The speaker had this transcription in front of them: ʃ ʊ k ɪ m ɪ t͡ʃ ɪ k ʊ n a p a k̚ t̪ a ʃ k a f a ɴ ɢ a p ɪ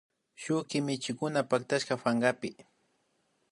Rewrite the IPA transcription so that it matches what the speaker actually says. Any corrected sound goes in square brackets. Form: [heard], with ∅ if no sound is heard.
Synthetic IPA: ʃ ʊ k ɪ m ɪ t͡ʃ ɪ k ʊ n a p a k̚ t̪ a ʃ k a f a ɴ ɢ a p ɪ